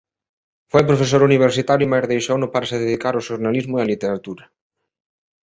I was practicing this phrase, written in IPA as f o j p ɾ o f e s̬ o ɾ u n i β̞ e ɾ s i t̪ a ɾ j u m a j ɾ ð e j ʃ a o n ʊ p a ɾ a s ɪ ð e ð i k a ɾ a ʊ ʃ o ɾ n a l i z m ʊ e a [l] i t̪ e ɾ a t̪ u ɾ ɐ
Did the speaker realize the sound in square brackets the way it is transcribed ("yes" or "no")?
yes